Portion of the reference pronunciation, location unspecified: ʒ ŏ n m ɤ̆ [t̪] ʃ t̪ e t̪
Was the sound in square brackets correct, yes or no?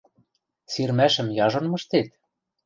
no